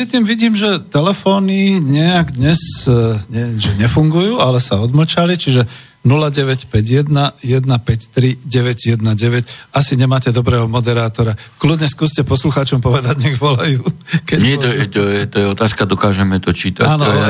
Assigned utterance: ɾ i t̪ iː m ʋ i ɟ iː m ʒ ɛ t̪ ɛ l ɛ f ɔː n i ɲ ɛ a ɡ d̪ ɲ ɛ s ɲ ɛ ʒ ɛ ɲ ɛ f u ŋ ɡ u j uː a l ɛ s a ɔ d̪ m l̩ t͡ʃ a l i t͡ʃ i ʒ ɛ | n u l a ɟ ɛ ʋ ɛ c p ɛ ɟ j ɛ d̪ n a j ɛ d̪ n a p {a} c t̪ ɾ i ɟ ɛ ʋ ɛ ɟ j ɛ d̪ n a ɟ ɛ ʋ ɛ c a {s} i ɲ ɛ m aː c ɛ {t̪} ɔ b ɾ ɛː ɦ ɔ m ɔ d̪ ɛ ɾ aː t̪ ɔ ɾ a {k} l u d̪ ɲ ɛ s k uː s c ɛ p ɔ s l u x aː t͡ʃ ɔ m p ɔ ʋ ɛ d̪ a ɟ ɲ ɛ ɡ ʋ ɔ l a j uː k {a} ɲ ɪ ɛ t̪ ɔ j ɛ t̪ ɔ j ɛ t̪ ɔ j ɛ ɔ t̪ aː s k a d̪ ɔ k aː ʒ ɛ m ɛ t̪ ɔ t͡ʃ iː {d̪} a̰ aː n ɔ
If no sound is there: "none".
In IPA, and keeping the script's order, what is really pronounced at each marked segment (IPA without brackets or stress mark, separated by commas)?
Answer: ɛ, s, d̪, k, ɛ, t̪